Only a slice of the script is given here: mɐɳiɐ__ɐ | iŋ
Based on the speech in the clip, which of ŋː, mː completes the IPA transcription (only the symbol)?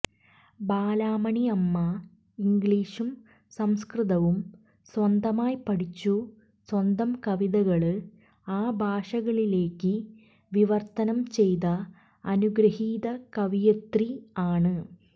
mː